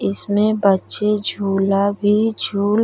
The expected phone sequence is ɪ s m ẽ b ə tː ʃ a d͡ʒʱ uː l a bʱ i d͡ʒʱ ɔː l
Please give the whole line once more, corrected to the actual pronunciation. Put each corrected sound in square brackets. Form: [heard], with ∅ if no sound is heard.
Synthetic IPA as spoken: ɪ s m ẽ b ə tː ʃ [e] d͡ʒʱ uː l a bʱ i d͡ʒʱ [uː] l